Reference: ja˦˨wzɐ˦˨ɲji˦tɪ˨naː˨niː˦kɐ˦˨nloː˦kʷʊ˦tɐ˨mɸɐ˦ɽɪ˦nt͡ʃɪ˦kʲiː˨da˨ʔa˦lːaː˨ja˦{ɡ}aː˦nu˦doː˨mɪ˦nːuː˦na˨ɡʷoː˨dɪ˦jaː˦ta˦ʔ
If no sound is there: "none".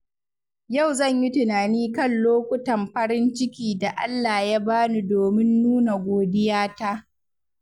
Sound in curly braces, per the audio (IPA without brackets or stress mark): b